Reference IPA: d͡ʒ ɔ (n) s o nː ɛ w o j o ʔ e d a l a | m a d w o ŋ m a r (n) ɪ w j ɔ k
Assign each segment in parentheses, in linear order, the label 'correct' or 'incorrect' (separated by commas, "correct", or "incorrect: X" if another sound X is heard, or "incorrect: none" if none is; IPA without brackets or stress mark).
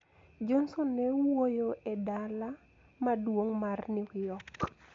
correct, correct